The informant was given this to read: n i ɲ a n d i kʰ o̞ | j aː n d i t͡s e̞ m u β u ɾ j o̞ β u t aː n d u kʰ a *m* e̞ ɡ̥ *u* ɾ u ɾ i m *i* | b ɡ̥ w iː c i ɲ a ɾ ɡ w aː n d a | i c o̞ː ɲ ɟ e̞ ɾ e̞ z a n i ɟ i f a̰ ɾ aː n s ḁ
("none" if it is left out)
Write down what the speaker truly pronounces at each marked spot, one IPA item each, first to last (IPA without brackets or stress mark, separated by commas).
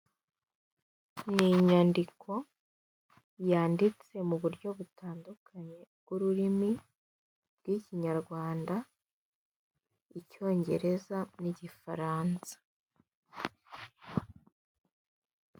ɲ, u, i